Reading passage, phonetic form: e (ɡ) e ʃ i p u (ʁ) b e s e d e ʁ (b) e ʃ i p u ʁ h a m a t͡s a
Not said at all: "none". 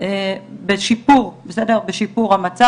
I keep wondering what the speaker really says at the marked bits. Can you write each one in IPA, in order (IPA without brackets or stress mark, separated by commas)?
b, ʁ, b